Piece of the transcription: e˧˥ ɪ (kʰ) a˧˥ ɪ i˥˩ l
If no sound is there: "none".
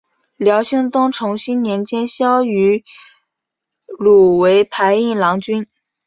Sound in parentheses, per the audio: pʰ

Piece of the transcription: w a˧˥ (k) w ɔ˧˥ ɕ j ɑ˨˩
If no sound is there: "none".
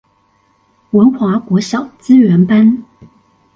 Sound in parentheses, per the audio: k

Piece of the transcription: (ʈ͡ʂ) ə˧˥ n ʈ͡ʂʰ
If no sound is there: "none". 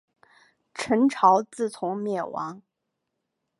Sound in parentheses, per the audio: ʈ͡ʂʰ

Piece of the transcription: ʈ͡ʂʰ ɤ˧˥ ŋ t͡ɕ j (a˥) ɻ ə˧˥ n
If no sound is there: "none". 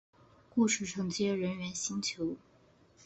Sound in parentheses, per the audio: ɛ˥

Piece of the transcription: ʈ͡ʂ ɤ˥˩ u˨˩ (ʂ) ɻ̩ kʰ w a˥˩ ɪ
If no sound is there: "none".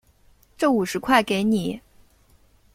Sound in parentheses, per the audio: ʂ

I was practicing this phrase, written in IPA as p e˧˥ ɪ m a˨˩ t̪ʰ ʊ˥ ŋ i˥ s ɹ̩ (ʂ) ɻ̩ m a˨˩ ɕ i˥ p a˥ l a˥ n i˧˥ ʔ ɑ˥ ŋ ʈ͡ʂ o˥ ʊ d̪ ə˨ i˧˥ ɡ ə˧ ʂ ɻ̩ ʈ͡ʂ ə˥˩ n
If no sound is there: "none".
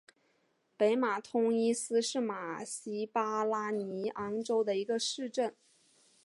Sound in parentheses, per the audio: ʂ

